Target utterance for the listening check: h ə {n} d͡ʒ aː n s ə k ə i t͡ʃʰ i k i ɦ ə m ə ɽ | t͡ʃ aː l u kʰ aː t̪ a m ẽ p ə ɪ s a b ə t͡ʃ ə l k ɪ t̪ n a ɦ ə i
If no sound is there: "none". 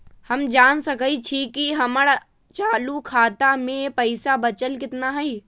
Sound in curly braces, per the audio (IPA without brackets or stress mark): m